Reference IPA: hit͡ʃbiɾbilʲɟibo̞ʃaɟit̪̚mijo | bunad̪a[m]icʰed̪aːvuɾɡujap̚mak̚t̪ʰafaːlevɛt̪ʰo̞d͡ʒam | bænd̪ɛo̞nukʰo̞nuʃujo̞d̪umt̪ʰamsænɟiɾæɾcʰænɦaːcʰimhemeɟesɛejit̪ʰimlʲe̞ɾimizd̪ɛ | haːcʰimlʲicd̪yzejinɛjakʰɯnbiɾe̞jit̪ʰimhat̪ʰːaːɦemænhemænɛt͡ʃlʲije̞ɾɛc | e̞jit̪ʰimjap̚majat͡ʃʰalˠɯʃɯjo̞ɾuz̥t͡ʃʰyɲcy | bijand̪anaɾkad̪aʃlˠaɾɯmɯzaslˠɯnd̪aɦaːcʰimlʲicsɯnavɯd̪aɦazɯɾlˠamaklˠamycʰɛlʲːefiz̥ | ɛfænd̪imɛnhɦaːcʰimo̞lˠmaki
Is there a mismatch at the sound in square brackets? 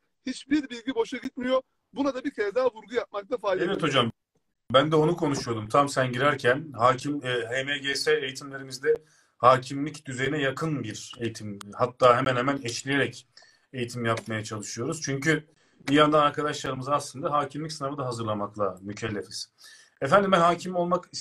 yes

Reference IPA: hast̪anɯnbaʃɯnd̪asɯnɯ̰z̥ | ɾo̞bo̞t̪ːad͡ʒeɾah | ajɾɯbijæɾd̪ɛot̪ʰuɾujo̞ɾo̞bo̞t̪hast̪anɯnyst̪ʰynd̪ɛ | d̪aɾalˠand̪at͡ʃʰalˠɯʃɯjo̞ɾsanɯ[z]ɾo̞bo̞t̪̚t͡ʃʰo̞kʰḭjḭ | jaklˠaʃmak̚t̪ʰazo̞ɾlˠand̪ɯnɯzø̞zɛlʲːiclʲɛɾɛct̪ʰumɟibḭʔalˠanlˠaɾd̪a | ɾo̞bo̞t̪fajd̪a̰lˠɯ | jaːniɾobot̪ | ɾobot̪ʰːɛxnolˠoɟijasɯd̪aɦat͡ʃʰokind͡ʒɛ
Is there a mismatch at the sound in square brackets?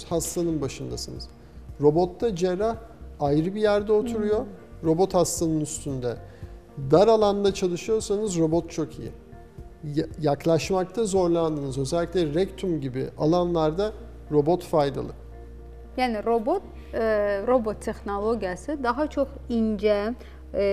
no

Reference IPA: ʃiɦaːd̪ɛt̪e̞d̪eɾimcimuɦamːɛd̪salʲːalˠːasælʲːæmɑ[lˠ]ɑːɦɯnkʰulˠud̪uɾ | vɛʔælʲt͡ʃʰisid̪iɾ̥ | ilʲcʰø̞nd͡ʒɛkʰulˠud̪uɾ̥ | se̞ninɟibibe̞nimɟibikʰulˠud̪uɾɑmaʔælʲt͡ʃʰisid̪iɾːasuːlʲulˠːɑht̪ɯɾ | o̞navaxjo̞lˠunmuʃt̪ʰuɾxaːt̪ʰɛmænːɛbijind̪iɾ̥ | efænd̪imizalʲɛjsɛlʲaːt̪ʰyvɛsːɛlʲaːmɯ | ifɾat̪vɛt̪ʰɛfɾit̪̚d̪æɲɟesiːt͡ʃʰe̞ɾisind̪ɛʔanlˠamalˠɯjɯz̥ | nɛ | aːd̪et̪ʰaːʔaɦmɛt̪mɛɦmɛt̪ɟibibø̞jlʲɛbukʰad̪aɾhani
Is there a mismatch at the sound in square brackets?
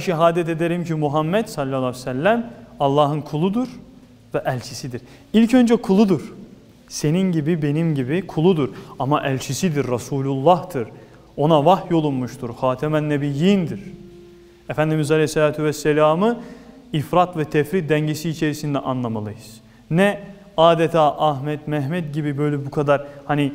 yes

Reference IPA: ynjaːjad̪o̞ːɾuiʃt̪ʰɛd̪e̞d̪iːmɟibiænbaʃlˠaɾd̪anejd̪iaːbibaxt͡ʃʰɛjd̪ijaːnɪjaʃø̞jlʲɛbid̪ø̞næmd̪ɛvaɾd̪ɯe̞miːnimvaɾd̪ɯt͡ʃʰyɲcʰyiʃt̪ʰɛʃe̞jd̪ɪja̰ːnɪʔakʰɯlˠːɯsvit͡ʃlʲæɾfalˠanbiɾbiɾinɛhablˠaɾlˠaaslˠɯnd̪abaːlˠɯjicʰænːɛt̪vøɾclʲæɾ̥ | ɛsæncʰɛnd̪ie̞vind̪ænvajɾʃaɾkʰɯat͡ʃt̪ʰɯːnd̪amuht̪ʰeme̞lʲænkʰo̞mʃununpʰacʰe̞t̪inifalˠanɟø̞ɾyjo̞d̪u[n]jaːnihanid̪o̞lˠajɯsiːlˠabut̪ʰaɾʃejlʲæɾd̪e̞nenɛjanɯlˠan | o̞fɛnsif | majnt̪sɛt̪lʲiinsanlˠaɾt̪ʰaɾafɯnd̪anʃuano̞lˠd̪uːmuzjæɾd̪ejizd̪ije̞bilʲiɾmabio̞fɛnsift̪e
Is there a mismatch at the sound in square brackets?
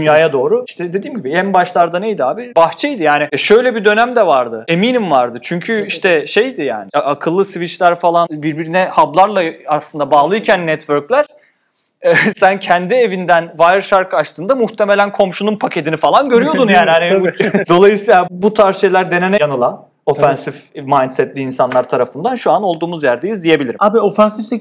no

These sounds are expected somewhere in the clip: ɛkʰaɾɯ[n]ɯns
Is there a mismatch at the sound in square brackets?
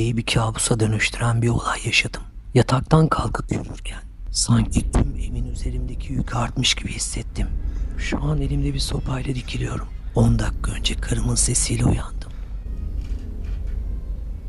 yes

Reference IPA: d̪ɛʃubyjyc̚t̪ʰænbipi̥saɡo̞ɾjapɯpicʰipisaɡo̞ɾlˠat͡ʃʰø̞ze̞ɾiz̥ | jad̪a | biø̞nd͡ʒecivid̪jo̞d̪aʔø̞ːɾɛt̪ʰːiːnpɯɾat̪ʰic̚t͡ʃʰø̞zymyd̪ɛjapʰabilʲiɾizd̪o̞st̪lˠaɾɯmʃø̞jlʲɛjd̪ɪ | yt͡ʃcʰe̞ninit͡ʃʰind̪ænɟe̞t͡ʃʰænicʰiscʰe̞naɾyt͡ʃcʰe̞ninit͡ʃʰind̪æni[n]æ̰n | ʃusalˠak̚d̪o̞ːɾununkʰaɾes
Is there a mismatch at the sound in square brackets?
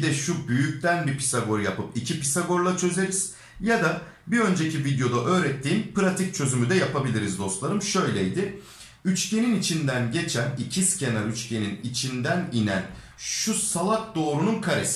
no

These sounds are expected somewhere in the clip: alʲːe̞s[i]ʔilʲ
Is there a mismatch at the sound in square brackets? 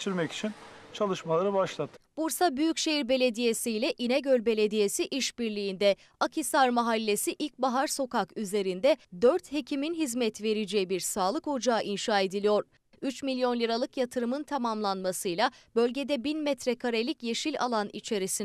no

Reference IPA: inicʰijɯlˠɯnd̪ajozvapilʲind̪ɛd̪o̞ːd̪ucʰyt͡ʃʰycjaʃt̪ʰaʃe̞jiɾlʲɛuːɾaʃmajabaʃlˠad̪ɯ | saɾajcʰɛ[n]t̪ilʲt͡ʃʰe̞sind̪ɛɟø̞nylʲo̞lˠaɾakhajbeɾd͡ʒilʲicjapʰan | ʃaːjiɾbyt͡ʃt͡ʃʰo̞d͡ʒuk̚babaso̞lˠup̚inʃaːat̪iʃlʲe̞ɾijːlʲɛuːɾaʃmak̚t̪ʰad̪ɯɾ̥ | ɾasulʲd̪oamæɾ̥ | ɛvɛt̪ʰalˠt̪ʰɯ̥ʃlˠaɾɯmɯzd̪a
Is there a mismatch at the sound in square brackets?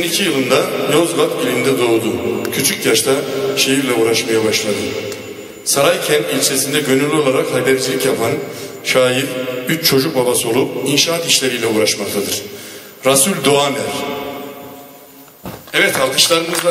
no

